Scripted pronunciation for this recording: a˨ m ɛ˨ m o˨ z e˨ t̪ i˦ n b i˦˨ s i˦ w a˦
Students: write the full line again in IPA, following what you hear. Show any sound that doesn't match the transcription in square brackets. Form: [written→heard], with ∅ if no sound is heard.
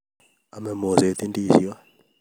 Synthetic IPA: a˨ m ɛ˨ m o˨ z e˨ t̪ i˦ n [b→d] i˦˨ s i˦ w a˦